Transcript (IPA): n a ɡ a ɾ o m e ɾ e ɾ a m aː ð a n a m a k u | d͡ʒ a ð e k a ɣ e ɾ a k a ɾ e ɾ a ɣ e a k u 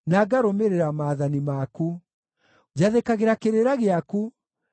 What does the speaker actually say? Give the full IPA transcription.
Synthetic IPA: n a ɡ a ɾ o m e ɾ e ɾ a m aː ð a n i m a k u | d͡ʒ a ð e k a ɣ e ɾ a k e ɾ e ɾ a ɣ e a k u